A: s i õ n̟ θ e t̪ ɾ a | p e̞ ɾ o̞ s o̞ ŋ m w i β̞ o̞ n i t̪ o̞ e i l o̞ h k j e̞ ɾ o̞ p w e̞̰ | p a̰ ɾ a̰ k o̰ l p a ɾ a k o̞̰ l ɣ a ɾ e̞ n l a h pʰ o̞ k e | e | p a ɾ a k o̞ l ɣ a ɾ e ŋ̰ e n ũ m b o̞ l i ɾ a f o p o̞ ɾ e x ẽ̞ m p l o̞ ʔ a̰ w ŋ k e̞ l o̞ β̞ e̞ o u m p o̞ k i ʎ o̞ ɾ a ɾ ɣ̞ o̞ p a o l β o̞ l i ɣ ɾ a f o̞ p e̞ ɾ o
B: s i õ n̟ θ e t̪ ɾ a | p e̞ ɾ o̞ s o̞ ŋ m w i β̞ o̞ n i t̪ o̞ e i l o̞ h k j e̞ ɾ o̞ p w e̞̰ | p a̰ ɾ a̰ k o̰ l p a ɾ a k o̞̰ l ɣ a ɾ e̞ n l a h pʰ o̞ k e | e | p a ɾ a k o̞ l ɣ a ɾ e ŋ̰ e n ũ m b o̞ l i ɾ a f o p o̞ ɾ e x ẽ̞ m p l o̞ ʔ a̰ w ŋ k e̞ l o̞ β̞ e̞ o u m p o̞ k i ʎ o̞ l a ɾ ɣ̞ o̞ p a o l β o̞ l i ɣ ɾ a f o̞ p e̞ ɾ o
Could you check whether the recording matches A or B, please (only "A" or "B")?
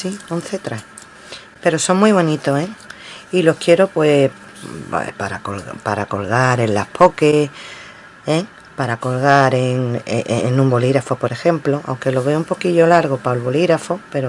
B